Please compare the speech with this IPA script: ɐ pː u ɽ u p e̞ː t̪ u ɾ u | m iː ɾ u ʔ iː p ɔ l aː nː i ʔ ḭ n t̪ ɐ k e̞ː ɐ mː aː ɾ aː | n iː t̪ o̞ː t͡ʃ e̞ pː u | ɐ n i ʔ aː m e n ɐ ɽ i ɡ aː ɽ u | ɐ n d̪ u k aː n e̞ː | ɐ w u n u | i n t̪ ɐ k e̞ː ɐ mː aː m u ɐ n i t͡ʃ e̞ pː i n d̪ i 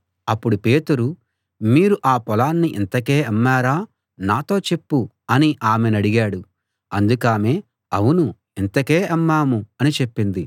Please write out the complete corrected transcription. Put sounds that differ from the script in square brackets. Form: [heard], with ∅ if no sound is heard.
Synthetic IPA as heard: ɐ pː u ɽ u p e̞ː t̪ u ɾ u | m iː ɾ u ʔ [aː] p ɔ l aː nː i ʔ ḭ n t̪ ɐ k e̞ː ɐ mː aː ɾ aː | n [aː] t̪ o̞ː t͡ʃ e̞ pː u | ɐ n i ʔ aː m e n ɐ ɽ i ɡ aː ɽ u | ɐ n d̪ u k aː [m] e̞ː | ɐ w u n u | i n t̪ ɐ k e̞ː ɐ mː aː m u ɐ n i t͡ʃ e̞ pː i n d̪ i